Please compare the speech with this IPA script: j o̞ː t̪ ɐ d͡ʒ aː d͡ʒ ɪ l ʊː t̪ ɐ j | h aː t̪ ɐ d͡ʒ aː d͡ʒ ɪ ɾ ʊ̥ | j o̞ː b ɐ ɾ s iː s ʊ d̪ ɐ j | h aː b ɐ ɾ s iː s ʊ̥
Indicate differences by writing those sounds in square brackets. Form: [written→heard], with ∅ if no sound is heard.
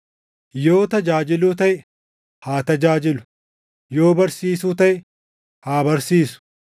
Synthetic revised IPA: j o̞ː t̪ ɐ d͡ʒ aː d͡ʒ ɪ l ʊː t̪ ɐ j | h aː t̪ ɐ d͡ʒ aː d͡ʒ ɪ [ɾ→l] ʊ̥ | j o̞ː b ɐ ɾ s iː s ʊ [d̪→t̪] ɐ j | h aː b ɐ ɾ s iː s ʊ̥